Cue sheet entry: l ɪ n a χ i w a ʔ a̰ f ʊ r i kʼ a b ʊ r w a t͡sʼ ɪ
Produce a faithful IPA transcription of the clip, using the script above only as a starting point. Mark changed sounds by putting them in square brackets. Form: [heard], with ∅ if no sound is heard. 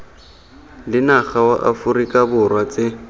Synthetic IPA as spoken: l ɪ n a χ [a] w a ʔ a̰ f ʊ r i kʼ a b ʊ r w a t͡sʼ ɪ

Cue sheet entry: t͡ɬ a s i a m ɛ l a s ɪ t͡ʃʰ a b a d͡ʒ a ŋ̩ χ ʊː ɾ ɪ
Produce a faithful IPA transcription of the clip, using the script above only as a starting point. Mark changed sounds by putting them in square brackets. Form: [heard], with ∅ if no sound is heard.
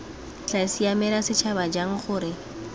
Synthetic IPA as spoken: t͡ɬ a s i a m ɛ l a s ɪ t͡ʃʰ a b a d͡ʒ a ŋ̩ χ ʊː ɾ ɪ

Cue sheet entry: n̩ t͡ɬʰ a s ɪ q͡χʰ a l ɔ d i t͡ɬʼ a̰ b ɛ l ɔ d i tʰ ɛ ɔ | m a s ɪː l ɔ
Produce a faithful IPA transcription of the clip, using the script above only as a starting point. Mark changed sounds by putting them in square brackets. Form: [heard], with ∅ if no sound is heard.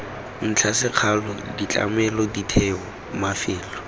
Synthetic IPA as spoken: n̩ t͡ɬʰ a s ɪ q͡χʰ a l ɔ d i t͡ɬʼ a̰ [m] ɛ l ɔ d i tʰ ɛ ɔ | m a [f] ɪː l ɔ

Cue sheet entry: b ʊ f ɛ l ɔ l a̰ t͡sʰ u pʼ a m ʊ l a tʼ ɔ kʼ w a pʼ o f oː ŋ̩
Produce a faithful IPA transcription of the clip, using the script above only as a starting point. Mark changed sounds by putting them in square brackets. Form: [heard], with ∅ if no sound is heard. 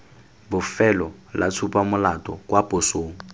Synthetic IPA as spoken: b ʊ f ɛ l ɔ l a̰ t͡sʰ u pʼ a m ʊ l a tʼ ɔ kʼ w a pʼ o [s] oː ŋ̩

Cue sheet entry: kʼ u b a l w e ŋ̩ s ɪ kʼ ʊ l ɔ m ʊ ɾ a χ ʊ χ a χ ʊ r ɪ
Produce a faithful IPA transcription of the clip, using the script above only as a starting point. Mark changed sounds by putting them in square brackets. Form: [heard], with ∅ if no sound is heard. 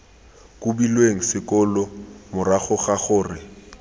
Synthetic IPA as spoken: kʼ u b [i] l w e ŋ̩ s ɪ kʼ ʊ l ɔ m ʊ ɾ a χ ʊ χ a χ [ʊː] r ɪ

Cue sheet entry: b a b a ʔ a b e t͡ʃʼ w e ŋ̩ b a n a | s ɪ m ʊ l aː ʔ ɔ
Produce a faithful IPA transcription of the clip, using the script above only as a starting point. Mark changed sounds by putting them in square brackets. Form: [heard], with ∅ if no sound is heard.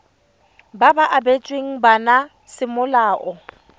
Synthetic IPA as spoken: b a b a ʔ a b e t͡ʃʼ w e ŋ̩ b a n a | s ɪ m ʊ l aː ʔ ɔ

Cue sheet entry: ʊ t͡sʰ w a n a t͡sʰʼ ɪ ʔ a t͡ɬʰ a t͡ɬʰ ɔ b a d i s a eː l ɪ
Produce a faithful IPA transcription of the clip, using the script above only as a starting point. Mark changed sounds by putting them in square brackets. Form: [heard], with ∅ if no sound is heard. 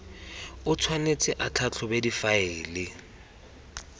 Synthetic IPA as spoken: ʊ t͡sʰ w a n [e] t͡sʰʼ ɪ ʔ a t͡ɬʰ a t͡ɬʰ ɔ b [e] d i [f] a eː l ɪ

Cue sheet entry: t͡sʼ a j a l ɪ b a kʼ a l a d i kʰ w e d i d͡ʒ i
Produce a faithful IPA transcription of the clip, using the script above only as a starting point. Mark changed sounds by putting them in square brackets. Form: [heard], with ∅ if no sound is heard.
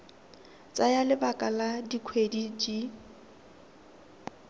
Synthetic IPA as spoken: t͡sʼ a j a l ɪ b a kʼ a l a d i kʰ w e d i d͡ʒ i

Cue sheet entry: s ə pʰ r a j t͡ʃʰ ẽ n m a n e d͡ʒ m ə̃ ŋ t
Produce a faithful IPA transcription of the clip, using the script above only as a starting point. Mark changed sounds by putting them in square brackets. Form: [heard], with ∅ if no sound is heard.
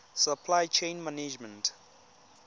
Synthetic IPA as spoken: s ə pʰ [l] a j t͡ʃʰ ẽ n m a n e d͡ʒ m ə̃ [n] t

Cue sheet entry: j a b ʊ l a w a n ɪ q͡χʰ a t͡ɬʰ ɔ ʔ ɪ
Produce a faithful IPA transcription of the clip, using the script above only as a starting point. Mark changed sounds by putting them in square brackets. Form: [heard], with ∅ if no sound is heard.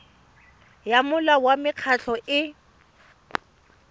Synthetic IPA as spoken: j a [m] ʊ l a w a [m] ɪ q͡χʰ a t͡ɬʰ ɔ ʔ ɪ

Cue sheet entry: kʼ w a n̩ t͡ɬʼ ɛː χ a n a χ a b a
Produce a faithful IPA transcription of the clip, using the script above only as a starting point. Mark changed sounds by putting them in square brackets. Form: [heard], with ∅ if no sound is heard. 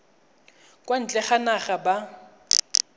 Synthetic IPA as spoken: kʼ w a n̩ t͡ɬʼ [ɛ] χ a n a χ a b a

